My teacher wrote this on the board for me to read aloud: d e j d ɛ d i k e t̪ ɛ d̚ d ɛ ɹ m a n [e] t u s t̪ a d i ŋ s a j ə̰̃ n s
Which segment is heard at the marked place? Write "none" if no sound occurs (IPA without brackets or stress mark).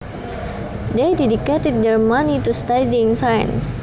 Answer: i